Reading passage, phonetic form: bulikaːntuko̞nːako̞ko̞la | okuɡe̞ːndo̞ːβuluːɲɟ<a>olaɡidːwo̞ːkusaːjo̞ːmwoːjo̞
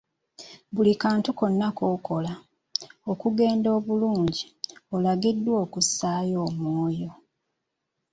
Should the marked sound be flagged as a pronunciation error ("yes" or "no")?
yes